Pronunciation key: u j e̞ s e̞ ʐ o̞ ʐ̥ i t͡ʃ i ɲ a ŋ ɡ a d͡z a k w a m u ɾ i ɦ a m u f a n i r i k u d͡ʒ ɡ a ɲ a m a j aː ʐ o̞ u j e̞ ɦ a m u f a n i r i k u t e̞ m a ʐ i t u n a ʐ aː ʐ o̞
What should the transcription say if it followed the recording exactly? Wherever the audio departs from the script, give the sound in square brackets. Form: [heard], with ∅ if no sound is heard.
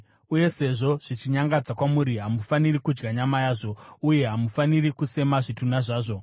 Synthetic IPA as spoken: u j e̞ s e̞ ʐ o̞ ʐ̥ i t͡ʃ i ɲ a ŋ ɡ a d͡z a k w a m u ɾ i ɦ a m u f a n i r i k u d͡ʒ ɡ a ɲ a m a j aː ʐ o̞ u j e̞ ɦ a m u f a n i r i k u [s] e̞ m a ʐ i t u n a ʐ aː ʐ o̞